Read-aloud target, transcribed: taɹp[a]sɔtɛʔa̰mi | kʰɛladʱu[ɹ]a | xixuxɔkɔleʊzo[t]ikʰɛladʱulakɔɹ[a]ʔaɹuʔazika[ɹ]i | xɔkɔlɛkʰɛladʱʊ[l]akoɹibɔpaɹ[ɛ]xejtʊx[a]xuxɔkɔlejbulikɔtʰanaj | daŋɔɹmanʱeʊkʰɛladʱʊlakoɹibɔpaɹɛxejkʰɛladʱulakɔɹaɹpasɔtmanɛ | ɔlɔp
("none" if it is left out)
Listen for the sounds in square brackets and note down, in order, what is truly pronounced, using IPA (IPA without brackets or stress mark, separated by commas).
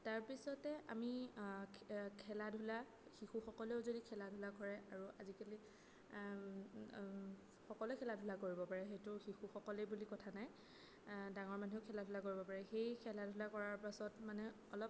i, l, d, ɛ, l, l, ɛ, i